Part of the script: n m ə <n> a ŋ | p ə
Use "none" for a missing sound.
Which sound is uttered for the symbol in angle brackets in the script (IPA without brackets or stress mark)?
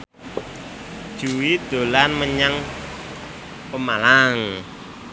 ɲ